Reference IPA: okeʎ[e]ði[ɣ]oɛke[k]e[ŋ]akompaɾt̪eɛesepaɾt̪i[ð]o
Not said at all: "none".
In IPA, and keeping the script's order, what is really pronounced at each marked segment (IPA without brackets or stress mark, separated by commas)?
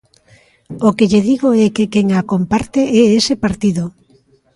e, ɣ, k, ŋ, ð